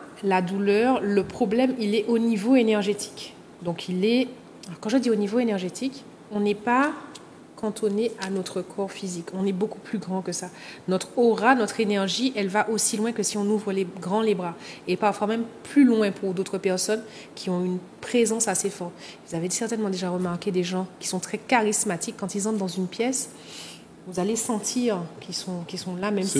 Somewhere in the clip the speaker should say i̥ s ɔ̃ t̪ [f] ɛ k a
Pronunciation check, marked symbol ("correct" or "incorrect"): incorrect